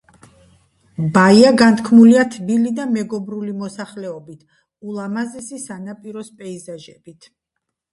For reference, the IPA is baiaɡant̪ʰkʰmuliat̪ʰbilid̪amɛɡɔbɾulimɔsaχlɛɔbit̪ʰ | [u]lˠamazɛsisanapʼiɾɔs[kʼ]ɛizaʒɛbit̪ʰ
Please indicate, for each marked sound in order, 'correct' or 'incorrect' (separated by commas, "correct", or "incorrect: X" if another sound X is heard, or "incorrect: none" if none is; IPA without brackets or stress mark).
correct, incorrect: pʼ